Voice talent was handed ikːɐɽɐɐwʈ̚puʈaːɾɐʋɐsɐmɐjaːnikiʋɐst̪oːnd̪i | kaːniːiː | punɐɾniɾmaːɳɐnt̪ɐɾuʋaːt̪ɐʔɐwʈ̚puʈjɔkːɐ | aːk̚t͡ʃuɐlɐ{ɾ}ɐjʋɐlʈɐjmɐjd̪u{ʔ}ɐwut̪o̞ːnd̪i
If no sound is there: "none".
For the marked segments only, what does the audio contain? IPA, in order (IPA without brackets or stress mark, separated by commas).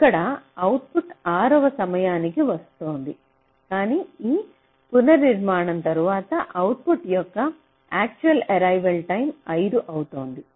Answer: ɾ, ʔ